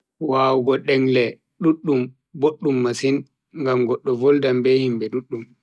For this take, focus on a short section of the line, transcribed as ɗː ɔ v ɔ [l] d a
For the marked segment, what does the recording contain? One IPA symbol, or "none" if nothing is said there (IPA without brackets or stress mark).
l